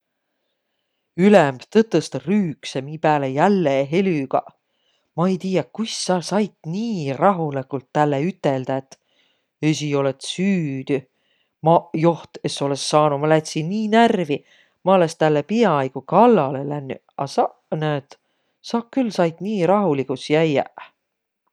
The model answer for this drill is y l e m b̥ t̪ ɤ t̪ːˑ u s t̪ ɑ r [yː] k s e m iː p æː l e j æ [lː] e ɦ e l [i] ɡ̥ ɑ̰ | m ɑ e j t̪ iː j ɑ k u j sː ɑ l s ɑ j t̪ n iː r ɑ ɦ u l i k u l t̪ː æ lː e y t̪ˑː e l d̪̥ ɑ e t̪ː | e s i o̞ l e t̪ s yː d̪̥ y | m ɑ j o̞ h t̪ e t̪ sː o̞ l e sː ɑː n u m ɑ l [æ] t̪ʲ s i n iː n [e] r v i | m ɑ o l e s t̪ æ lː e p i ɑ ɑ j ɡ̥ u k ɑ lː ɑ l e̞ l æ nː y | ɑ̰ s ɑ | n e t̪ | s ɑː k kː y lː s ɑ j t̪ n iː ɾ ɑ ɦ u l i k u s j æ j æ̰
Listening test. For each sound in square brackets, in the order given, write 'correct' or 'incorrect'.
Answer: correct, correct, incorrect: y, correct, incorrect: æ

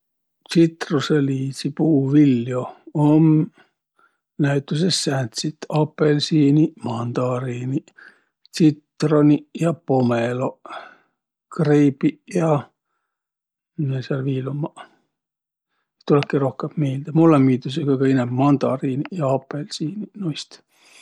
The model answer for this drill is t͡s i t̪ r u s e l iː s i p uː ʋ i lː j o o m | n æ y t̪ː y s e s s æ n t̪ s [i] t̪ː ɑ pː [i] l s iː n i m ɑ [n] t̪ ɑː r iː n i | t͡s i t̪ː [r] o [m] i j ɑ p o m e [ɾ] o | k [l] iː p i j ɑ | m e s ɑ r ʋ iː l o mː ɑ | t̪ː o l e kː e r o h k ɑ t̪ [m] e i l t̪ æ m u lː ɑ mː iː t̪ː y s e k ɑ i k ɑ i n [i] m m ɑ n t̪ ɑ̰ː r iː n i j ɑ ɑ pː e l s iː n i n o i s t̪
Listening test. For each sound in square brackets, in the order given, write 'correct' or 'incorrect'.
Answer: correct, incorrect: e, correct, correct, incorrect: n, incorrect: l, incorrect: r, correct, incorrect: æ

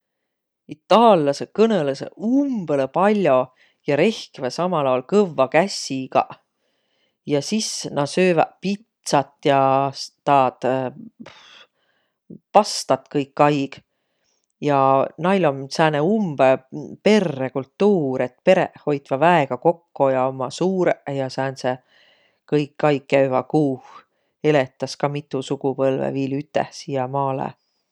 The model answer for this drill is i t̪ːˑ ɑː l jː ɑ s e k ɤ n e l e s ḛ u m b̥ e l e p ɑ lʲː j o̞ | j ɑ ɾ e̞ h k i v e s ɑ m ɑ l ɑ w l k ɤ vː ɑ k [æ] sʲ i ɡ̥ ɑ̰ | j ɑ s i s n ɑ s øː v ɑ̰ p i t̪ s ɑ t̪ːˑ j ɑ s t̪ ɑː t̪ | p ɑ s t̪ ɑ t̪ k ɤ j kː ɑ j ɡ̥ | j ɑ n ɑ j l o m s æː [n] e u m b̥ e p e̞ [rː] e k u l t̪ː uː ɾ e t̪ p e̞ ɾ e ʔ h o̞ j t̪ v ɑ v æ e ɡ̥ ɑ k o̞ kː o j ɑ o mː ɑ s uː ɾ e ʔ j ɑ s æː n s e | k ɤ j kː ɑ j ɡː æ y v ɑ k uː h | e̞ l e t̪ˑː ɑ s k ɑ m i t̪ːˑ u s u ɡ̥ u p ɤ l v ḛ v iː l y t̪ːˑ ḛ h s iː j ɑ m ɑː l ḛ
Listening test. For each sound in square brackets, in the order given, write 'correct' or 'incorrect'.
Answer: correct, correct, correct

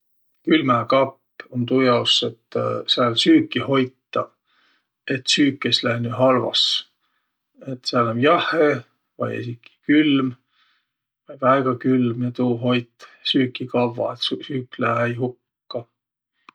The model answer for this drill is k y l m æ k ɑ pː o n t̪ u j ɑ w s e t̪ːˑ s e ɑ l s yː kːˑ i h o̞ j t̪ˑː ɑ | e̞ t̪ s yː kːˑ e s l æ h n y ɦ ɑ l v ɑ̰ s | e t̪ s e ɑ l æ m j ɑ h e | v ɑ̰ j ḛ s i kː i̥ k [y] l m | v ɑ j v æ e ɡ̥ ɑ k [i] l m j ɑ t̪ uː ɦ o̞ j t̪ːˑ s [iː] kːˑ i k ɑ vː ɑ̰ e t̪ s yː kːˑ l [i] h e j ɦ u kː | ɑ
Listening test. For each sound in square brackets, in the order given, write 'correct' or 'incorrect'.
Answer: correct, incorrect: y, incorrect: yː, incorrect: æ

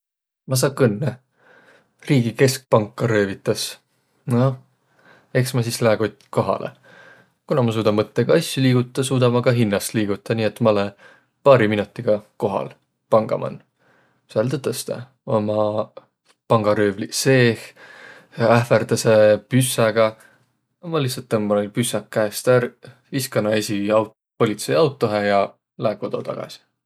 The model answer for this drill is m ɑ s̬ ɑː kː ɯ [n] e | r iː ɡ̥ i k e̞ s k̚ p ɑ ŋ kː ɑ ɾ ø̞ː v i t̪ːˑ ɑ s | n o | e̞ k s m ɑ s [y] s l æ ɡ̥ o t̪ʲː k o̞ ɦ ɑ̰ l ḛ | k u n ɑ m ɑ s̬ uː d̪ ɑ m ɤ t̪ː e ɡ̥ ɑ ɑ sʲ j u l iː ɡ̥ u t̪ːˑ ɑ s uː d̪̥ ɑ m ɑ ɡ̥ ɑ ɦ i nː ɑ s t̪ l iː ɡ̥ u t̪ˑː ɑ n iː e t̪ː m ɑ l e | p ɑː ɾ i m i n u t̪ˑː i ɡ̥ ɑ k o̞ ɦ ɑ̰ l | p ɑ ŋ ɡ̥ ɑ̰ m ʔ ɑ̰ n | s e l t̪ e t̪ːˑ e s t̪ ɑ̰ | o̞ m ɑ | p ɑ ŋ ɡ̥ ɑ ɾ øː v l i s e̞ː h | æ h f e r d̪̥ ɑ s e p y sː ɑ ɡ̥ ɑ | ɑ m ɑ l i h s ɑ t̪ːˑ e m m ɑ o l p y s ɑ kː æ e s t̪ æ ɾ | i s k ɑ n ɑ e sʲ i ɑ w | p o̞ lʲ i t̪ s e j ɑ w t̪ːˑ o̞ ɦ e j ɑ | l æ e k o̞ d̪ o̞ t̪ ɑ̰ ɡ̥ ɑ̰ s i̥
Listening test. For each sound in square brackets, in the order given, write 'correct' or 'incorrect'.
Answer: incorrect: nː, incorrect: i

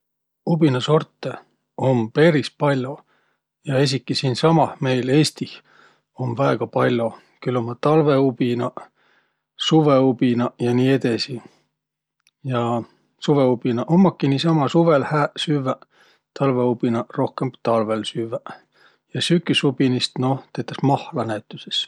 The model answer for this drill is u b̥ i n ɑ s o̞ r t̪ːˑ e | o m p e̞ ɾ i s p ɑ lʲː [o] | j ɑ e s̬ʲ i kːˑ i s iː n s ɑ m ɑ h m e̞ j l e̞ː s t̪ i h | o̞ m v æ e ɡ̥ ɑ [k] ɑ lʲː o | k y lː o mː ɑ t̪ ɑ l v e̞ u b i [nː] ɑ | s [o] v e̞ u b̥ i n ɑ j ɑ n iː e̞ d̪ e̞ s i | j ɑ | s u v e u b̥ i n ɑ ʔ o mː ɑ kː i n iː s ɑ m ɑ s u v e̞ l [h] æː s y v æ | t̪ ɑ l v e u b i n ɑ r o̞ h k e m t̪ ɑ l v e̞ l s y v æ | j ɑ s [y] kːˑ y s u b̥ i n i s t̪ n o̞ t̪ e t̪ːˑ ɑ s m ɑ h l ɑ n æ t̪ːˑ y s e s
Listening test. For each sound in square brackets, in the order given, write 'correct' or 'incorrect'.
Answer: correct, incorrect: p, incorrect: n, incorrect: u, correct, correct

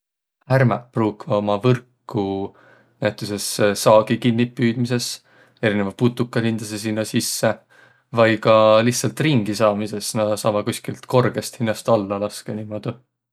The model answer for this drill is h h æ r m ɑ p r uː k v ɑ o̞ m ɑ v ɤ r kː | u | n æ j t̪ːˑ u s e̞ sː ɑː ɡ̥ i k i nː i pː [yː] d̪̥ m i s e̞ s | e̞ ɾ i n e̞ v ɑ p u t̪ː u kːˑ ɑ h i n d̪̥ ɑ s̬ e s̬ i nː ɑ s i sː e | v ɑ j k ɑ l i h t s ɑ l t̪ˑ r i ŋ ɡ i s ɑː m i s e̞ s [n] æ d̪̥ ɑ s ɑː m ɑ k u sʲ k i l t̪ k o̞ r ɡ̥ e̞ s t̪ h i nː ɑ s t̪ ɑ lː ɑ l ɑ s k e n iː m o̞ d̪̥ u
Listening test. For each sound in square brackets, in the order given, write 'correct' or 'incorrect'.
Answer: correct, correct

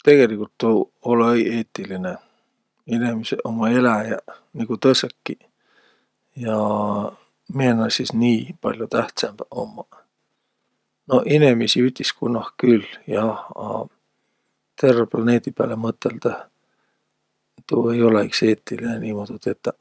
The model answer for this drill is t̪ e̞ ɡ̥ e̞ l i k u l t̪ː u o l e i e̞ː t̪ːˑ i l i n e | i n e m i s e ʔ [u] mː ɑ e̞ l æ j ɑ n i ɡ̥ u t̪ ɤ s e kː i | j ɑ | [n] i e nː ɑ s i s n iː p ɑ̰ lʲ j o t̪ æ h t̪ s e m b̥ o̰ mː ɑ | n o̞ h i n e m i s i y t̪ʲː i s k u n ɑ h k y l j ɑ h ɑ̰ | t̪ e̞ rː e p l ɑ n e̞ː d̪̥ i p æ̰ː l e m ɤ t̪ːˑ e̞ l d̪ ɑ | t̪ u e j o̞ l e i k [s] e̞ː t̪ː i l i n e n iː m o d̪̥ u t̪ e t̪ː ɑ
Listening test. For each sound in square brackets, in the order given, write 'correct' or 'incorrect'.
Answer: incorrect: o, incorrect: m, correct

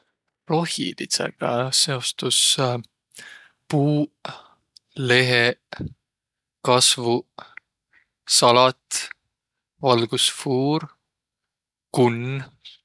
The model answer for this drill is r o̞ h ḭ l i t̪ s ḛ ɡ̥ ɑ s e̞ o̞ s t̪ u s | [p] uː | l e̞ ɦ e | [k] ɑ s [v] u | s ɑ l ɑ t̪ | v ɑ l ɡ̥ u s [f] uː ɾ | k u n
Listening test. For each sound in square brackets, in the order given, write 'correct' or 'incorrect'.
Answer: correct, correct, correct, correct

